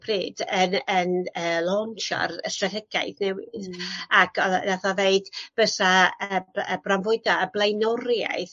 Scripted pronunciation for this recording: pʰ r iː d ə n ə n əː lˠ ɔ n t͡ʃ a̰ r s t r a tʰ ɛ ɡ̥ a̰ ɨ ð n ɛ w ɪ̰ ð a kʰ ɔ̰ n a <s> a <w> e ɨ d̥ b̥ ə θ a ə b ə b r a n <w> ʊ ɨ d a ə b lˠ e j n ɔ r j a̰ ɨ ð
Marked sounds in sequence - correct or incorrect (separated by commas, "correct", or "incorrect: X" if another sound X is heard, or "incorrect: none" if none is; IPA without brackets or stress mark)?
incorrect: θ, incorrect: v, incorrect: v